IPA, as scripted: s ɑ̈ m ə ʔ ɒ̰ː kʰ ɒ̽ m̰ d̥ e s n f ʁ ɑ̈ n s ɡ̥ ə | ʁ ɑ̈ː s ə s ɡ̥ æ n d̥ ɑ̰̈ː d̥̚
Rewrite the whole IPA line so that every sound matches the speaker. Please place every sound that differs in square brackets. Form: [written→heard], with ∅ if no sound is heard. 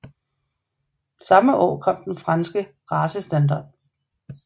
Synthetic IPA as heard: s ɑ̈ m ə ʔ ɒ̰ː kʰ ɒ̽ m̰ d̥ e [s→∅] n f ʁ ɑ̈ n s ɡ̥ ə | ʁ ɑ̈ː s ə s [ɡ̥→d̥] æ n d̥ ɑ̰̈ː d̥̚